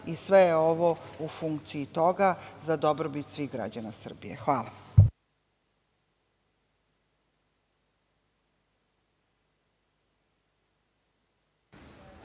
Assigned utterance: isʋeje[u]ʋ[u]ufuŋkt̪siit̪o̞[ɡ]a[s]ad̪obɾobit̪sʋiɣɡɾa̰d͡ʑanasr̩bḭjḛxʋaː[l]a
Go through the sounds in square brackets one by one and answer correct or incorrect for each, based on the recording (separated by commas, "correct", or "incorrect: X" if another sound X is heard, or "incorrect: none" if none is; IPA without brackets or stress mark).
incorrect: o, incorrect: o, correct, incorrect: z, correct